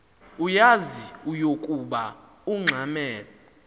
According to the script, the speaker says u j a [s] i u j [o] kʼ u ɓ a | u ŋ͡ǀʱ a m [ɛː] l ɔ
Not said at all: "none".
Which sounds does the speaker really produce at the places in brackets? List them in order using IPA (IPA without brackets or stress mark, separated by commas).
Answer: z, o, ɛː